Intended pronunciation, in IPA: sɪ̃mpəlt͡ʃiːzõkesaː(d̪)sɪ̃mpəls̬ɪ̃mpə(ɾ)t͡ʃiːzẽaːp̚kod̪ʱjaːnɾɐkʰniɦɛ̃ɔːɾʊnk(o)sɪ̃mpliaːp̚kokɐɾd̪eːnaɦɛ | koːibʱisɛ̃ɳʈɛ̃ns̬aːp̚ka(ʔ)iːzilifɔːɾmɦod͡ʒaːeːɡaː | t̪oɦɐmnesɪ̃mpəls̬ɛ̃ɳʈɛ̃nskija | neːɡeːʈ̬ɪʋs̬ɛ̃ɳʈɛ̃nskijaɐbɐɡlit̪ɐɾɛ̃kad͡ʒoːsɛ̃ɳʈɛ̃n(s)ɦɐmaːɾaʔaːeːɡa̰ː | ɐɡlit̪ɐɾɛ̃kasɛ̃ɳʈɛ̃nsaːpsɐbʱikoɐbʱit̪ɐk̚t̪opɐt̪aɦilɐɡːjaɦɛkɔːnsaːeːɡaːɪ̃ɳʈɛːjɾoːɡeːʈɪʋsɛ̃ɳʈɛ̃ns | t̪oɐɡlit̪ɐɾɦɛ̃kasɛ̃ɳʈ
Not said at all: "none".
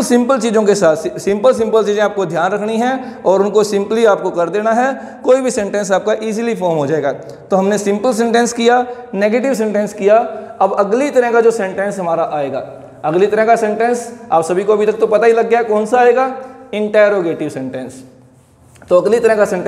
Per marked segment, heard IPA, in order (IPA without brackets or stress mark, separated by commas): t̪, l, o, ʔ, s